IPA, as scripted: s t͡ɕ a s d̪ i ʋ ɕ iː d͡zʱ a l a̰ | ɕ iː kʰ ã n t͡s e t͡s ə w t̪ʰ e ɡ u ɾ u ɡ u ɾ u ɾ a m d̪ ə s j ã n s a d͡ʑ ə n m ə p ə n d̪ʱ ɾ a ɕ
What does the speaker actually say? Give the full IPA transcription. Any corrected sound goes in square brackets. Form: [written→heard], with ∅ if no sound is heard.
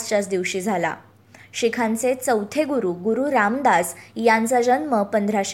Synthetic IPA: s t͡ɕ a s d̪ i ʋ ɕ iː d͡zʱ a l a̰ | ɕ [iː→i] kʰ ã n t͡s e t͡s ə w t̪ʰ e ɡ u ɾ u ɡ u ɾ u ɾ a m d̪ [ə→a] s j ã n [s→t͡s] a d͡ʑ ə n m ə p ə n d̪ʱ ɾ a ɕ